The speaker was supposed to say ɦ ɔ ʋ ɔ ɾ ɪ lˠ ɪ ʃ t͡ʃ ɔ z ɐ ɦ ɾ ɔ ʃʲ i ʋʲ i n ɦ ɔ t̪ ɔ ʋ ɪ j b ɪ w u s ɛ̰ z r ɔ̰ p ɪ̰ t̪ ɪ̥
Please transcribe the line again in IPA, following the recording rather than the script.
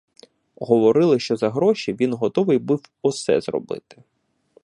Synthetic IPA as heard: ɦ ɔ ʋ ɔ ɾ ɪ lˠ ɪ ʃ t͡ʃ ɔ z ɐ ɦ ɾ ɔ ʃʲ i ʋʲ i n ɦ ɔ t̪ ɔ ʋ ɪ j b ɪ w ɔ s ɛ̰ z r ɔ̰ b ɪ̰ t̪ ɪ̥